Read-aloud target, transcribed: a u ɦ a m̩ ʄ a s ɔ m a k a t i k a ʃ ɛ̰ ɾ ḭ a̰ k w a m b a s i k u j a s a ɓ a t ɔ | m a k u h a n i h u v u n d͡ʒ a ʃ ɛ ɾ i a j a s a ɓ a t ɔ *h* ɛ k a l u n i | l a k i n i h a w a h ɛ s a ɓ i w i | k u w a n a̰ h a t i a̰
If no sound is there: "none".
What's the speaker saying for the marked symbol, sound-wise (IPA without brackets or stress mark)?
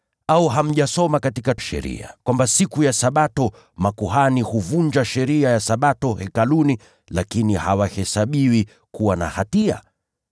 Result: h